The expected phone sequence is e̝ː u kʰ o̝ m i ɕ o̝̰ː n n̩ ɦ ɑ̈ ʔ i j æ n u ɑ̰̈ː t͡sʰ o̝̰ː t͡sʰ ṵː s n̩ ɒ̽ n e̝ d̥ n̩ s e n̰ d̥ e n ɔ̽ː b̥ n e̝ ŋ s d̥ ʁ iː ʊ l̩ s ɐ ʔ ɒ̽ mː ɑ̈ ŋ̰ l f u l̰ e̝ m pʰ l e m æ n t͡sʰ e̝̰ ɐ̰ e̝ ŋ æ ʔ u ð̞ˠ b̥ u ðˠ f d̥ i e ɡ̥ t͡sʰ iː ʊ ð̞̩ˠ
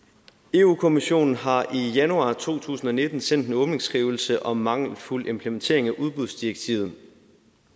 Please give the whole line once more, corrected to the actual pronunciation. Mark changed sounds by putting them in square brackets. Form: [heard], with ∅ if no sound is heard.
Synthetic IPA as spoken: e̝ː u kʰ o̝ m i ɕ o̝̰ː n n̩ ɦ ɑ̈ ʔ i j æ n u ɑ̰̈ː t͡sʰ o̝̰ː t͡sʰ ṵː s n̩ ɒ̽ n e̝ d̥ n̩ s e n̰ d̥ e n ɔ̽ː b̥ n e̝ ŋ s [ɡ̥] ʁ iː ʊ l̩ s [ə] ʔ ɒ̽ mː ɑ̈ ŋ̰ l f u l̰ e̝ m pʰ l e m [e] n t͡sʰ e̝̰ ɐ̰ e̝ ŋ æ ʔ u ð̞ˠ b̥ u ðˠ [s] d̥ i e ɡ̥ t͡sʰ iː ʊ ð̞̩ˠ